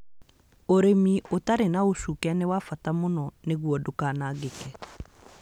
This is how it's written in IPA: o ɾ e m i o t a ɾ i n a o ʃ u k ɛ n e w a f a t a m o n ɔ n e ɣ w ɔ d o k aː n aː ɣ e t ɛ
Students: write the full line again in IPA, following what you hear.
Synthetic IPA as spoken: o ɾ e m i o t a ɾ e n a o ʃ u k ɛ n e w a f a t a m o n ɔ n e ɣ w ɔ d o k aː n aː ɣ e k ɛ